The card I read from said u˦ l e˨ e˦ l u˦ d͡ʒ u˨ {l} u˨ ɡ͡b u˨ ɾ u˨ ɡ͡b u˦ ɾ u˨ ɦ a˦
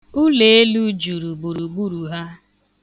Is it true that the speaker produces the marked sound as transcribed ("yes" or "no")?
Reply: no